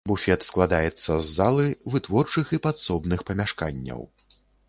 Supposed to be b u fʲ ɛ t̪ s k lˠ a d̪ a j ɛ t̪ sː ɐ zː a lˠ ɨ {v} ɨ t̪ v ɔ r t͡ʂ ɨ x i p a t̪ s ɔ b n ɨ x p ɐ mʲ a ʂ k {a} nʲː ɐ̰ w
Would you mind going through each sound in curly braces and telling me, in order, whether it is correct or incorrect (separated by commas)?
correct, correct